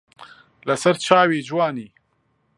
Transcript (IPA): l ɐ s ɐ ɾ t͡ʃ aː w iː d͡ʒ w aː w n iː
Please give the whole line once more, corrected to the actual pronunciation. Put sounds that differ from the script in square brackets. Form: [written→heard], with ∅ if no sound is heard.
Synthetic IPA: l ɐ s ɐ ɾ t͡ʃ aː w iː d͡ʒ w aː [w→∅] n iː